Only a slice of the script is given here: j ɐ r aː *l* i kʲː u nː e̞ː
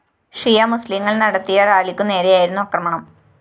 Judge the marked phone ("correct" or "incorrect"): correct